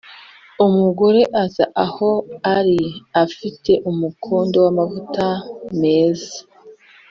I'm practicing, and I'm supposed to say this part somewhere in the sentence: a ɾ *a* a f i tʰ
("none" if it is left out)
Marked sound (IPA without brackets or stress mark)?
i